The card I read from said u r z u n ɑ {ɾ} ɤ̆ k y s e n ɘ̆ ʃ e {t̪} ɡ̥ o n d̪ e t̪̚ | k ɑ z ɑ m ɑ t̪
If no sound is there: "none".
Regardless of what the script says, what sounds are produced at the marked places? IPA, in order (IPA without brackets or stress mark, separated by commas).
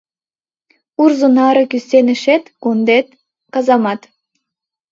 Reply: ɾ, t̪